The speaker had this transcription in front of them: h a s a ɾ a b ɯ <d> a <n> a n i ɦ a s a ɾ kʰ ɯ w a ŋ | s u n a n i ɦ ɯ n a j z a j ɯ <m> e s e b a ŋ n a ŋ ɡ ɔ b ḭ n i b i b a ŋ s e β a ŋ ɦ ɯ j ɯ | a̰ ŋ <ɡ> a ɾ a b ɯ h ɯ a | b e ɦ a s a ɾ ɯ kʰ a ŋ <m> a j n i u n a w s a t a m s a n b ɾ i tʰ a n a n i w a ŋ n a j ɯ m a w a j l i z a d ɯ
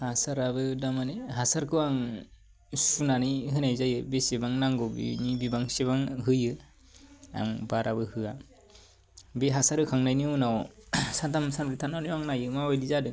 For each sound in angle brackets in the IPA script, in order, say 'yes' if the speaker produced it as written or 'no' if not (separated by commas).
yes, no, no, no, no